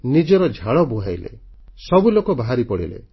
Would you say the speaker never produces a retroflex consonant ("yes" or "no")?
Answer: no